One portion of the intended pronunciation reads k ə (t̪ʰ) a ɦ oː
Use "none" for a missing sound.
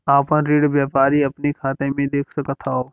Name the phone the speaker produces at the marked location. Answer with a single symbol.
t̪ʰ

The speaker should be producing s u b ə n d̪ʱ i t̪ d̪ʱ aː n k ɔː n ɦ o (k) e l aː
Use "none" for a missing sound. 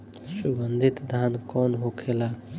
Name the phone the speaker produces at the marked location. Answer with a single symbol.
kʰ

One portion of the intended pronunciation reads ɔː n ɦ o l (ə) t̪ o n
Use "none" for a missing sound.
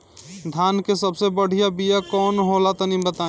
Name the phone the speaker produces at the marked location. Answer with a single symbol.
a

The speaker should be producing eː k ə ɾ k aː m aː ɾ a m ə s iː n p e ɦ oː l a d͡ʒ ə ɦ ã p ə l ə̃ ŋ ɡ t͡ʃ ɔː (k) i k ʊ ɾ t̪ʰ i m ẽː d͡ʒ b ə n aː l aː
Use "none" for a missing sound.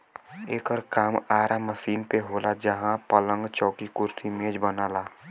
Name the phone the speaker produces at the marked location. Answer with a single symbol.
k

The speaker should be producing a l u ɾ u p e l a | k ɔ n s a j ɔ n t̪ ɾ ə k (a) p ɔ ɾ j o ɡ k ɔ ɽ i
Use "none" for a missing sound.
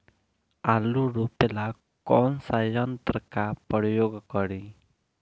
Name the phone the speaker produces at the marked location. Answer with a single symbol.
a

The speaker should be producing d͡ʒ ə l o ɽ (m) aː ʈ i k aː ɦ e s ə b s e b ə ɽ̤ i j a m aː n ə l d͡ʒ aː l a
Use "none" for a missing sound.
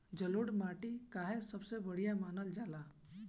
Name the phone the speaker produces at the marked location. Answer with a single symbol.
m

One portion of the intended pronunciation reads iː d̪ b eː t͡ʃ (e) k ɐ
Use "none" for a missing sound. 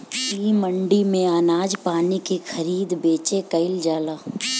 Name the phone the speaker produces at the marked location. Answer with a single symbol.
e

